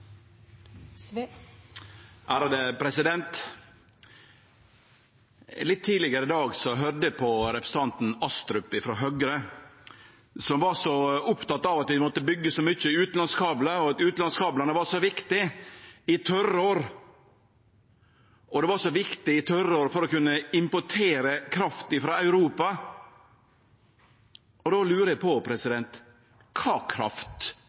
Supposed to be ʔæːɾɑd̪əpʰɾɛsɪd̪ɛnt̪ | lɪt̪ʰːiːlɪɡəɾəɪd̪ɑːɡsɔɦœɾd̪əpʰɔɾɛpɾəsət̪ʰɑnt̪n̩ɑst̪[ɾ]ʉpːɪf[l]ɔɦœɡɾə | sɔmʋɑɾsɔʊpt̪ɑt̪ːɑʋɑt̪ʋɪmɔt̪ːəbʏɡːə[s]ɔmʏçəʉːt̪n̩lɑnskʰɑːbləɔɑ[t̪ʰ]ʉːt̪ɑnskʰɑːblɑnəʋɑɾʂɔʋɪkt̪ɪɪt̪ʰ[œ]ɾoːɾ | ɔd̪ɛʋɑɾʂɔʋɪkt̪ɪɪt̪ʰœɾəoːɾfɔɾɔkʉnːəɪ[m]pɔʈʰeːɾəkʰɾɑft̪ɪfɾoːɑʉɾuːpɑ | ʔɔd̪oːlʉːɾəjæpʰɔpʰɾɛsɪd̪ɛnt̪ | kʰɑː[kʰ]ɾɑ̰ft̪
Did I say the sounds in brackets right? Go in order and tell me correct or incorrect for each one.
correct, incorrect: ɾ, correct, incorrect: t̪, correct, correct, correct

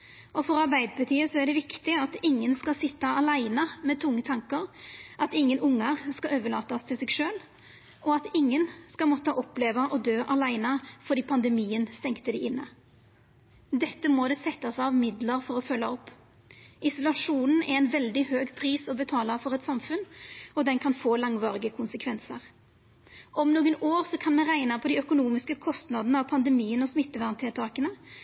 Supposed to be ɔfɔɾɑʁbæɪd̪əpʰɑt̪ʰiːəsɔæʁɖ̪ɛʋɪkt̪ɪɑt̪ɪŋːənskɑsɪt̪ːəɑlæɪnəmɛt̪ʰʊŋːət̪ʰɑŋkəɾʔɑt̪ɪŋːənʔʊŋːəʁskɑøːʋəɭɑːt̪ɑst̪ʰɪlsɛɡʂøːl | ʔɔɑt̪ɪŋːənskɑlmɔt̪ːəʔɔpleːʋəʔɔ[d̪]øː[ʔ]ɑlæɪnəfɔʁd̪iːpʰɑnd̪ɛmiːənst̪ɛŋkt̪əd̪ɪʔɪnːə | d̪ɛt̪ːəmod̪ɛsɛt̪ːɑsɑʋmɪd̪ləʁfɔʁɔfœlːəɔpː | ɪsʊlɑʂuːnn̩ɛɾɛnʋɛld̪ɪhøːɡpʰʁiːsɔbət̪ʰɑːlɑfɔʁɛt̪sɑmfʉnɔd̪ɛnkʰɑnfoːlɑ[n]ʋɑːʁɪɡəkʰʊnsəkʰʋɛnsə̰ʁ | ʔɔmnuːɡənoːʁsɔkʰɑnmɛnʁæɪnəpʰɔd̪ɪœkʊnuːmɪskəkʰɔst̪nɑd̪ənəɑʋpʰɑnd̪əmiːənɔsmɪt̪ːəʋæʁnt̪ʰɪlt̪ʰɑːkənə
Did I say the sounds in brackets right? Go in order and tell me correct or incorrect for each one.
correct, correct, incorrect: ŋ

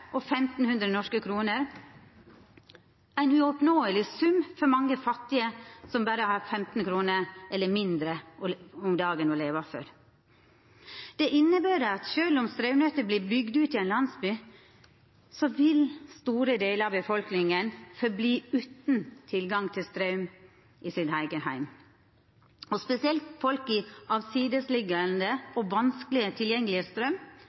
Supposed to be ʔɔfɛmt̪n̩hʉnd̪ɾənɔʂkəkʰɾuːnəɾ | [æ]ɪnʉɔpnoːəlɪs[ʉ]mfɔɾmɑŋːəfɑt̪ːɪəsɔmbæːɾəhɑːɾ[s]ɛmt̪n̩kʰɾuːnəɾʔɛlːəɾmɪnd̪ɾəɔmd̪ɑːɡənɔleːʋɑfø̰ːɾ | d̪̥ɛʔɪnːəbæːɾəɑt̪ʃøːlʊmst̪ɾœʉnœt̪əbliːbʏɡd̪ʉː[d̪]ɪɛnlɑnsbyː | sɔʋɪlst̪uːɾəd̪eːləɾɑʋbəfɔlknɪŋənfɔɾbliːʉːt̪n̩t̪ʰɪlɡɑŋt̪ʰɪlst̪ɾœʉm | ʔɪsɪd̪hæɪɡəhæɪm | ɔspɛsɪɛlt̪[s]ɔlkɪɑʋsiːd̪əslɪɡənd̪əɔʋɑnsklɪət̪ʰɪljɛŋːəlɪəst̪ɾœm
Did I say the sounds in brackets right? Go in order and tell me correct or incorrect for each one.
correct, correct, incorrect: f, incorrect: t̪, incorrect: f

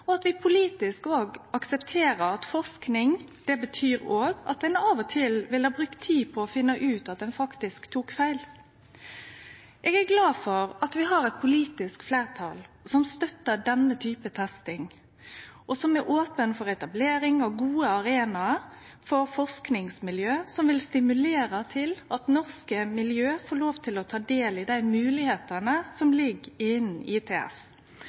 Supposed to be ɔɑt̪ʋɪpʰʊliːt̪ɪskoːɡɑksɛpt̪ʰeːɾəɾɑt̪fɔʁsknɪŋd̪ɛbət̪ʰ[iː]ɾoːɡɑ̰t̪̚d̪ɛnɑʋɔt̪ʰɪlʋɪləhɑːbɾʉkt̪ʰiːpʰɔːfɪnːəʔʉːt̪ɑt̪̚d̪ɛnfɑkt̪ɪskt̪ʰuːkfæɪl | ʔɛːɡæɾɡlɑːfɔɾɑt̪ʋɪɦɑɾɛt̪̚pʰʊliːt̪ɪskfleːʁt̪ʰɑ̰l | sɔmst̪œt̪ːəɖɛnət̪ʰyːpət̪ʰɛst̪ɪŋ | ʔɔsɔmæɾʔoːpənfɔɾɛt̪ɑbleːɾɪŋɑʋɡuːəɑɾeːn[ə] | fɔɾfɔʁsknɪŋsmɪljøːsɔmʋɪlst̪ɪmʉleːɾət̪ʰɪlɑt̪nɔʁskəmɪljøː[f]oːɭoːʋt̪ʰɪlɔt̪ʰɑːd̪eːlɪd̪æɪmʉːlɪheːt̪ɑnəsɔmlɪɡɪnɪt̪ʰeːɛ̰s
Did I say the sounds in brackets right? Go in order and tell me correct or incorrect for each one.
incorrect: yː, incorrect: ɑ, correct

